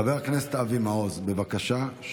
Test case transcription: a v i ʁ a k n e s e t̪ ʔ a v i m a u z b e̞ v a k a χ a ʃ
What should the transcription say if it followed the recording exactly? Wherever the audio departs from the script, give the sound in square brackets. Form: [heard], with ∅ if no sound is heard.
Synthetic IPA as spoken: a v [e] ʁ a k n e s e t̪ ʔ a v i m a [o] z b e̞ v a k a [ʃ] a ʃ